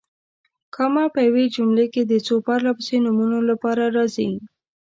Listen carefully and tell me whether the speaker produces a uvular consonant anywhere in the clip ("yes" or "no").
no